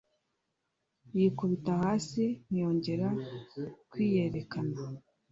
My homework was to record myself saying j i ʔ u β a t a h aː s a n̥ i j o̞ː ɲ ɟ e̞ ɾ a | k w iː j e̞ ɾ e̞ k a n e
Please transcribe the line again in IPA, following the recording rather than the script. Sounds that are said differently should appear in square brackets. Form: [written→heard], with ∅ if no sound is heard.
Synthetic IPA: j i [ʔ→k] u β [a→i] t a h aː s [a→i] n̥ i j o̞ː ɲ ɟ e̞ ɾ a | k w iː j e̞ ɾ e̞ k a n [e→a]

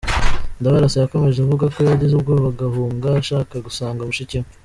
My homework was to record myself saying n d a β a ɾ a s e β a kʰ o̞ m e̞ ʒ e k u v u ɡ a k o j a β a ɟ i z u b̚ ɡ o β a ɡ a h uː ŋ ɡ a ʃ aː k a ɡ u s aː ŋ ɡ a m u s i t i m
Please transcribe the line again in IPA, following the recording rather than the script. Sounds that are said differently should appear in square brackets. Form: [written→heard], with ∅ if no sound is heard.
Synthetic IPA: n d a β a ɾ a s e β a [kʰ→k] o̞ m e̞ ʒ e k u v u ɡ a k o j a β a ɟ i z u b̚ ɡ o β a ɡ a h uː ŋ ɡ a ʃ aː k a ɡ u s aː ŋ ɡ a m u [s→ʃ] i [t→c] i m

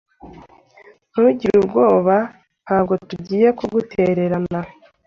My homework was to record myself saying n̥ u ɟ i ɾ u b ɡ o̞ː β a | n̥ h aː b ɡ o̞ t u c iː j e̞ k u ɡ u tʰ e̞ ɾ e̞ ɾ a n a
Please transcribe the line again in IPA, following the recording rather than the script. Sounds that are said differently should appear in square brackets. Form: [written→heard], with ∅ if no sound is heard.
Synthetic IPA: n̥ u ɟ i ɾ u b ɡ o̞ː β a | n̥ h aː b ɡ o̞ t u [c→ɟ] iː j e̞ k u ɡ u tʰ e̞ ɾ e̞ ɾ a n a

